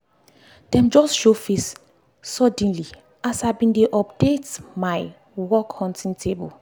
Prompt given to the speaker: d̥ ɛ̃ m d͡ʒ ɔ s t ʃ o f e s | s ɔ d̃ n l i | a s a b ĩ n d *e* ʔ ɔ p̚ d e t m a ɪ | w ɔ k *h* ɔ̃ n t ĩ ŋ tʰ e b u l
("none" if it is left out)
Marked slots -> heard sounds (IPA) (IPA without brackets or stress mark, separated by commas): e, h